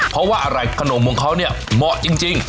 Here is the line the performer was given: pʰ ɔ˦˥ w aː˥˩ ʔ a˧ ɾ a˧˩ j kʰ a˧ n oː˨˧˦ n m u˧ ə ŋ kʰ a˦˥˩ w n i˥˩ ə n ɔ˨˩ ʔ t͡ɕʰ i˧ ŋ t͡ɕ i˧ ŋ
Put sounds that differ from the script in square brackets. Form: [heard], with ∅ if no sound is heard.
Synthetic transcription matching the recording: pʰ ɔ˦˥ w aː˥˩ ʔ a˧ ɾ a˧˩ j kʰ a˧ n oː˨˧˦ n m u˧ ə ŋ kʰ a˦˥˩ w n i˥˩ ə [m] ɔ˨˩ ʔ [t͡ɕ] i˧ ŋ t͡ɕ i˧ ŋ